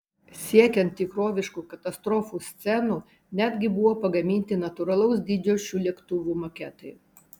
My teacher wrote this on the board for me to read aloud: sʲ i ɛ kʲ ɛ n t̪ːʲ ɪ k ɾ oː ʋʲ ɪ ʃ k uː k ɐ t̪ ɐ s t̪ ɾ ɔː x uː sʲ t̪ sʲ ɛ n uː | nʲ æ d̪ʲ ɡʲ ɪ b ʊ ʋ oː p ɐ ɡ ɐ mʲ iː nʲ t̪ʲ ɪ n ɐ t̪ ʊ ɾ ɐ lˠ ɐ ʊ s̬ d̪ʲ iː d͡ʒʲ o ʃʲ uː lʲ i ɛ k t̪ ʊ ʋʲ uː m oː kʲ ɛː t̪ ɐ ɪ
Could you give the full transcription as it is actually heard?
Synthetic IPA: sʲ i ɛ kʲ ɛ n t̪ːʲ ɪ k ɾ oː ʋʲ ɪ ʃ k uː k ɐ t̪ ɐ s t̪ ɾ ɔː f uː sʲ t̪ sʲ ɛ n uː | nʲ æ d̪ʲ ɡʲ ɪ b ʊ ʋ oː p ɐ ɡ ɐ mʲ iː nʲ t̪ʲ ɪ n ɐ t̪ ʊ ɾ ɐ lˠ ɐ ʊ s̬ d̪ʲ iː d͡ʒʲ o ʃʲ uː lʲ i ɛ k t̪ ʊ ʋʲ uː m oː kʲ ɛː t̪ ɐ ɪ

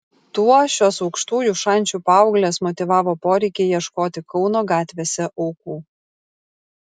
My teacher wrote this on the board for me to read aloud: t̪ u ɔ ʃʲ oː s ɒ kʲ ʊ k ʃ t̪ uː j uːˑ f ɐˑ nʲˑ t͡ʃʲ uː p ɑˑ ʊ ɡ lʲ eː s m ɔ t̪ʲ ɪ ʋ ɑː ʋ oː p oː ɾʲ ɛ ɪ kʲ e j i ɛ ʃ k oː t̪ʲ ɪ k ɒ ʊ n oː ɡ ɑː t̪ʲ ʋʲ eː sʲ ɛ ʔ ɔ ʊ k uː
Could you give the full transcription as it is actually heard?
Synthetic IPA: t̪ u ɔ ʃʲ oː s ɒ ʊ k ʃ t̪ uː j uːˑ ʃ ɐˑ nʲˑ t͡ʃʲ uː p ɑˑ ʊ ɡ lʲ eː s m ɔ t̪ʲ ɪ ʋ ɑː ʋ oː p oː ɾʲ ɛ ɪ kʲ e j i ɛ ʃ k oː t̪ʲ ɪ k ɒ ʊ n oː ɡ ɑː t̪ʲ ʋʲ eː sʲ ɛ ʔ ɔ ʊ k uː

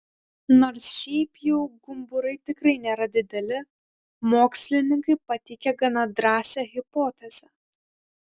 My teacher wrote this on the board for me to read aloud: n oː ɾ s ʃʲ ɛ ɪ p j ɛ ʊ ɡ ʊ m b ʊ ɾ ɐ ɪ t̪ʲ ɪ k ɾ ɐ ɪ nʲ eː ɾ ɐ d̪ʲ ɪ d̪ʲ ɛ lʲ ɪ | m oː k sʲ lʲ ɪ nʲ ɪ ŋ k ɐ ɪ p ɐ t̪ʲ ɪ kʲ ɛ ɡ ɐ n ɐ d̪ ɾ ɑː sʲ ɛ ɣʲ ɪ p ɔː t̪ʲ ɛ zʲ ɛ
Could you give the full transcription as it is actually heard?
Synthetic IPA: n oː ɾ s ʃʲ ɛ ɪ p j ɛ ʊ ɡ ʊ m b ʊ ɾ ɐ ɪ t̪ʲ ɪ k ɾ ɐ ɪ nʲ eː ɾ ɐ d̪ʲ ɪ d̪ʲ ɛ lʲ ɪ | m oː k sʲ lʲ ɪ nʲ ɪ ŋ k ɐ ɪ p ɐ t̪ʲ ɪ kʲ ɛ ɡ ɐ n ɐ d̪ ɾ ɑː sʲ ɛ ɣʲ ɪ p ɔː t̪ʲ ɛ zʲ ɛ

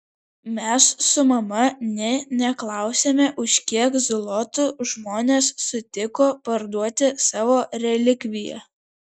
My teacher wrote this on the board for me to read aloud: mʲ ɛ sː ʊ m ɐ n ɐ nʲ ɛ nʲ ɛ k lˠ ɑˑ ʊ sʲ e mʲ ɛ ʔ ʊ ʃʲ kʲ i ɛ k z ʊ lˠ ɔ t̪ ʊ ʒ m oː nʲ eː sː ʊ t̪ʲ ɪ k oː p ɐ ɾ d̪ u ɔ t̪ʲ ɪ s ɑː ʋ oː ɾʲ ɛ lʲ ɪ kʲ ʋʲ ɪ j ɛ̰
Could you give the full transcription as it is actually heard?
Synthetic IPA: mʲ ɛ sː ʊ m ɐ m ɐ nʲ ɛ nʲ ɛ k lˠ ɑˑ ʊ sʲ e mʲ ɛ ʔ ʊ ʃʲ kʲ i ɛ k z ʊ lˠ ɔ t̪ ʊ ʒ m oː nʲ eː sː ʊ t̪ʲ ɪ k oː p ɐ ɾ d̪ u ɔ t̪ʲ ɪ s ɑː ʋ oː ɾʲ ɛ lʲ ɪ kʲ ʋʲ ɪ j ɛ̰

